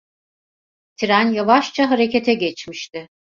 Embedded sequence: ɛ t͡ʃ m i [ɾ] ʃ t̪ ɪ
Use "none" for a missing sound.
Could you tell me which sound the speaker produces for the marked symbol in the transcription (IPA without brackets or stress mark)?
none